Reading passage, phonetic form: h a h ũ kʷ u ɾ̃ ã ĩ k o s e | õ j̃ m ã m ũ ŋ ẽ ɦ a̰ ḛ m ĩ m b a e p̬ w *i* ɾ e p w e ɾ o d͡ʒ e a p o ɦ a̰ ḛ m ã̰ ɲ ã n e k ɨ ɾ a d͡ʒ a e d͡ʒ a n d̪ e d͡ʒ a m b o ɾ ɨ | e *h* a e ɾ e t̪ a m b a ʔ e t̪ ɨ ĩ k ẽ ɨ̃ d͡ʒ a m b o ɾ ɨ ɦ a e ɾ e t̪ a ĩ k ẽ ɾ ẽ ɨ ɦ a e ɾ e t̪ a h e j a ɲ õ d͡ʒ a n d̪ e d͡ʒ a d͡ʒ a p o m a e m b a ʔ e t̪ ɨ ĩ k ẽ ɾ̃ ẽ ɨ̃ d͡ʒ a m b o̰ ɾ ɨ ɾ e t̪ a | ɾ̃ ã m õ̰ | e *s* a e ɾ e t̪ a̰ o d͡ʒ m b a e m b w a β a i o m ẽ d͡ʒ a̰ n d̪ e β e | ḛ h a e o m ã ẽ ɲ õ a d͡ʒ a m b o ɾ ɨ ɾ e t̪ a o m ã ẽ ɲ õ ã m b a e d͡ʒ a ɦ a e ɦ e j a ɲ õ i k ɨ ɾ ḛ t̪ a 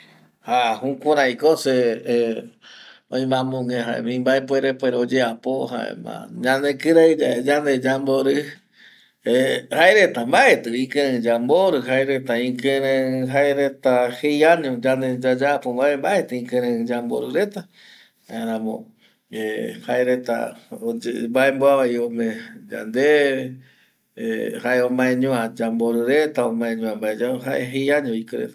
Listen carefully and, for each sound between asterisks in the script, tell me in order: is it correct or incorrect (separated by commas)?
incorrect, correct, incorrect